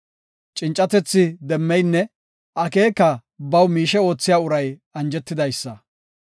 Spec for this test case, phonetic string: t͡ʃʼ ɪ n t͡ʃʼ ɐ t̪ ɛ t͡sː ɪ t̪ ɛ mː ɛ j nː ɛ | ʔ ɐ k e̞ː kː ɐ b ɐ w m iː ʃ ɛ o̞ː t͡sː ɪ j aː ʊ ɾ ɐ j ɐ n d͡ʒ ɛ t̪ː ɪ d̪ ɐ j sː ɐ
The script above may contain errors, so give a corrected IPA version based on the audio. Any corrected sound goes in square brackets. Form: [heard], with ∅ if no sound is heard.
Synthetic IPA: t͡ʃʼ ɪ n t͡ʃʼ ɐ t̪ ɛ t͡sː ɪ [d̪] ɛ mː ɛ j nː ɛ | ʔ ɐ k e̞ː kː ɐ b ɐ w m iː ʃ ɛ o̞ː t͡sː ɪ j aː ʊ ɾ ɐ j ɐ n d͡ʒ ɛ t̪ː ɪ d̪ ɐ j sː ɐ

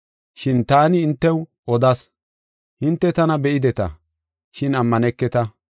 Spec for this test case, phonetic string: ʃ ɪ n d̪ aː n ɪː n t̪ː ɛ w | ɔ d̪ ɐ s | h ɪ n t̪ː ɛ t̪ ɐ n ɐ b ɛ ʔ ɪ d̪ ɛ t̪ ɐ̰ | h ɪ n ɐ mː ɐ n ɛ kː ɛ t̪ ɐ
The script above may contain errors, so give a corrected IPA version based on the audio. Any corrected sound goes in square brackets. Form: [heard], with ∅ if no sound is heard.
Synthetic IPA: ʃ ɪ n [t̪] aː n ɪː n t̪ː ɛ w | ɔ d̪ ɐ s | h ɪ n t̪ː ɛ t̪ ɐ n ɐ b ɛ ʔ ɪ d̪ ɛ t̪ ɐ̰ | [ʃ] ɪ n ɐ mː ɐ n ɛ kː ɛ t̪ ɐ

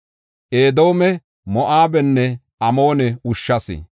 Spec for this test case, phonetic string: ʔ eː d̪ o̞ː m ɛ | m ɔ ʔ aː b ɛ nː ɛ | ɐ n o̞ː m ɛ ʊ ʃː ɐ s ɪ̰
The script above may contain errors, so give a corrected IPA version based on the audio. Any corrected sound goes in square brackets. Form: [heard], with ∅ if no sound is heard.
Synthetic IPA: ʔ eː d̪ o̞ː m ɛ | m ɔ ʔ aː b ɛ nː ɛ | ɐ [m] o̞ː [n] ɛ ʊ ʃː ɐ s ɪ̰

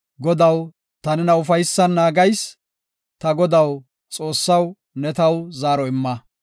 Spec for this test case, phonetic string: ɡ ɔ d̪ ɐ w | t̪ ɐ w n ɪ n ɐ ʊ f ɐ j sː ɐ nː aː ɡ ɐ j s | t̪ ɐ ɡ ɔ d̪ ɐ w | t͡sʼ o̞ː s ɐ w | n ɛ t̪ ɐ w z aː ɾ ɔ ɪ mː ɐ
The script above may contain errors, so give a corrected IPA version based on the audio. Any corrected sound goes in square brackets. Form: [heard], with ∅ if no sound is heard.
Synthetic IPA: ɡ ɔ d̪ ɐ w | t̪ ɐ [∅] n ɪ n ɐ ʊ f ɐ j sː ɐ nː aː ɡ ɐ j s | t̪ ɐ ɡ ɔ d̪ ɐ w | t͡sʼ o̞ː [sː] ɐ w | n ɛ t̪ ɐ w z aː ɾ ɔ ɪ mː ɐ

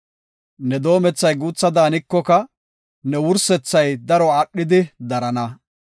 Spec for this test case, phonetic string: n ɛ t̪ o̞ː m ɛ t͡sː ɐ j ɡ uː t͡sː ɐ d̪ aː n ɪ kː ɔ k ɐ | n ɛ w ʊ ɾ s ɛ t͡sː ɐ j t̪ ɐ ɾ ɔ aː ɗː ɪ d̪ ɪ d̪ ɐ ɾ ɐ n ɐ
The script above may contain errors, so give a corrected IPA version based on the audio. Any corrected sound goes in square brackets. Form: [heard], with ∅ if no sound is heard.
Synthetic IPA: n ɛ [d̪] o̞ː m ɛ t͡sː ɐ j ɡ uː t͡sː ɐ d̪ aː n ɪ kː ɔ k ɐ | n ɛ w ʊ ɾ s ɛ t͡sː ɐ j [d̪] ɐ ɾ ɔ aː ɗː ɪ d̪ ɪ d̪ ɐ ɾ ɐ n ɐ

